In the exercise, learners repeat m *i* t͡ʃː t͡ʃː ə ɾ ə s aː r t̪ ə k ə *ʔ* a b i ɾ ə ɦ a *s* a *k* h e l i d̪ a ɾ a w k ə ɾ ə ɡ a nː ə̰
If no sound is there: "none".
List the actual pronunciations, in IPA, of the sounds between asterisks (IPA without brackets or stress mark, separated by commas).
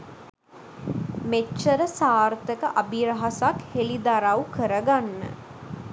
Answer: e, ʔ, s, k